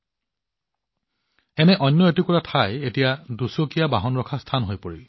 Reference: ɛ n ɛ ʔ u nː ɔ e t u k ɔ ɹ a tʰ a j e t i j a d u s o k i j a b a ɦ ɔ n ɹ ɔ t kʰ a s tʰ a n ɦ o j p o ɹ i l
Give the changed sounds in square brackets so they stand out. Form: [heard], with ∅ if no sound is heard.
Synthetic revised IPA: ɛ n ɛ ʔ [ɔ] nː ɔ e t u k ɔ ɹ a tʰ a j e t i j a d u s o k i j a b a ɦ ɔ n ɹ ɔ [∅] kʰ a s tʰ a n ɦ o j p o ɹ i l